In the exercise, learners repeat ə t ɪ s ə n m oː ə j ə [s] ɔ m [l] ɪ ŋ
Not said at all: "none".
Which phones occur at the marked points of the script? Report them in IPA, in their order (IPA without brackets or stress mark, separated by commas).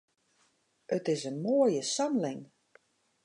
s, l